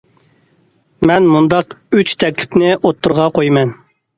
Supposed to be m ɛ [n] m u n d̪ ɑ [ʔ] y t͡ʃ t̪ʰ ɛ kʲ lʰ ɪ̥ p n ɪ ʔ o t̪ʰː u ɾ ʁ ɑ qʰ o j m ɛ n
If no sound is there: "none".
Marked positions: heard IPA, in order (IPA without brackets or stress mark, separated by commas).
n, q